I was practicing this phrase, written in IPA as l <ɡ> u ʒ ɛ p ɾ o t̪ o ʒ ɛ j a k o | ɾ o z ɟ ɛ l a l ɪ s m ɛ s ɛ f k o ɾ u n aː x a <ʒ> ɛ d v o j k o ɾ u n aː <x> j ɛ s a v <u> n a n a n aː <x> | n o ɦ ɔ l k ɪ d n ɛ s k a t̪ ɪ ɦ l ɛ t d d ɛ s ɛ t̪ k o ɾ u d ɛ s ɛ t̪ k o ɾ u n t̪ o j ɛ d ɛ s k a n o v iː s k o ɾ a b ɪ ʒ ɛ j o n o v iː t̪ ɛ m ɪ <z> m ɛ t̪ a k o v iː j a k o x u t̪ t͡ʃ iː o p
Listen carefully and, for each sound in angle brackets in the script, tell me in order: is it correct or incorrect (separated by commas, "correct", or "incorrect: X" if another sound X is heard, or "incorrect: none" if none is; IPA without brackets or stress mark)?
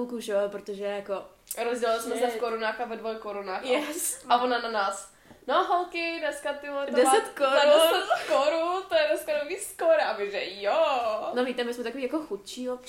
incorrect: k, incorrect: v, correct, incorrect: o, incorrect: s, incorrect: s